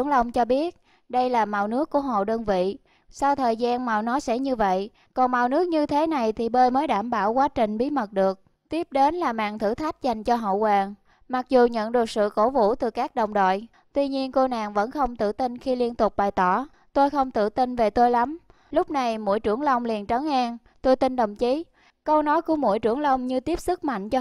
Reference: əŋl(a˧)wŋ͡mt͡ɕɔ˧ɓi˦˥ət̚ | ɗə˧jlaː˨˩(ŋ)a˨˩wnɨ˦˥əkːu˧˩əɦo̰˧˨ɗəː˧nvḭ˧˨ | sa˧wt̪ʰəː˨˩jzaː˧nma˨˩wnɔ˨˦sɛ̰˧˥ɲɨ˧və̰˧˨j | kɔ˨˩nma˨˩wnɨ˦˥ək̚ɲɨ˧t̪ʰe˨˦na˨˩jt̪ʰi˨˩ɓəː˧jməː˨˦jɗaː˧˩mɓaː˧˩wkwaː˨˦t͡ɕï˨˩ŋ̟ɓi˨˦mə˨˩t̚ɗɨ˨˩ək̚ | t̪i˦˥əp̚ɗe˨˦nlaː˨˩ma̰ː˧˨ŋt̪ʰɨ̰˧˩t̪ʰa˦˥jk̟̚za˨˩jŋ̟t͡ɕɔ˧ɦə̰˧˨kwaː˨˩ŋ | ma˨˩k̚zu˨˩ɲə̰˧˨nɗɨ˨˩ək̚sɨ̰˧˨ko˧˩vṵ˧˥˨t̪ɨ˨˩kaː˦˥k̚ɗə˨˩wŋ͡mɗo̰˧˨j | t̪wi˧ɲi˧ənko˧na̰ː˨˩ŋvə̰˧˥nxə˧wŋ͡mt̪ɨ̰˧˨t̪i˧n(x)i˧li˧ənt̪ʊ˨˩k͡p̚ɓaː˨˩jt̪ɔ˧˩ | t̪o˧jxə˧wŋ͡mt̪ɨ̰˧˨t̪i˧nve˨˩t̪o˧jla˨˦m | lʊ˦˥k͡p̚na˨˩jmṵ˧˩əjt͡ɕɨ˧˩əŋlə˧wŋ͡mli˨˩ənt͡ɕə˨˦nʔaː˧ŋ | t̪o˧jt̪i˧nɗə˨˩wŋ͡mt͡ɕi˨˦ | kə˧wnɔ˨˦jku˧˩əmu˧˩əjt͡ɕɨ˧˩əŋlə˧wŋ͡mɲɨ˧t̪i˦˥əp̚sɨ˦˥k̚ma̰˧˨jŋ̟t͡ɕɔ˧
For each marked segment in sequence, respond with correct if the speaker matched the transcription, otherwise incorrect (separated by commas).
incorrect, incorrect, correct